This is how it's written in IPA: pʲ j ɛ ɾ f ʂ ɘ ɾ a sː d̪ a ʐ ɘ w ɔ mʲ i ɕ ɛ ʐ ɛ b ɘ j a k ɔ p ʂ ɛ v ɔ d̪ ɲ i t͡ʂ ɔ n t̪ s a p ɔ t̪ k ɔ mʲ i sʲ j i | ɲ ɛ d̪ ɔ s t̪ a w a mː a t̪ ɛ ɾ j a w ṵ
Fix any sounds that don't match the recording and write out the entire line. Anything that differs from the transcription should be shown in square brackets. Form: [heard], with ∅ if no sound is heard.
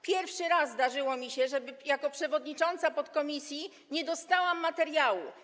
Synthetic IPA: pʲ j ɛ ɾ f ʂ ɘ ɾ a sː d̪ a ʐ ɘ w ɔ mʲ i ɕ ɛ ʐ ɛ b ɘ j a k ɔ p ʂ ɛ v ɔ d̪ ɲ i t͡ʂ ɔ n t̪ s a p ɔ t̪ k ɔ mʲ i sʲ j i | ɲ ɛ d̪ ɔ s t̪ a w a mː a t̪ ɛ ɾ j a w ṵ